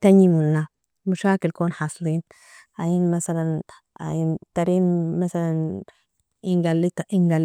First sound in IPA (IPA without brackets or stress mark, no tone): t̪